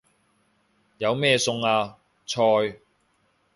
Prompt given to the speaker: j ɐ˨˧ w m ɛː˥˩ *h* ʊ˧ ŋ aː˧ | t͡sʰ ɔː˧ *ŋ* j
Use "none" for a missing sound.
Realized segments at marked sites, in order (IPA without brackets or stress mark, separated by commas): s, none